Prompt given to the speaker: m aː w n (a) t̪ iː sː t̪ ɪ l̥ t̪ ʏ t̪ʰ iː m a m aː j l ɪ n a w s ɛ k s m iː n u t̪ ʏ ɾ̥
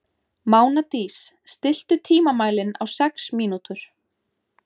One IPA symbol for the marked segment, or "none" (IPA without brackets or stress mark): a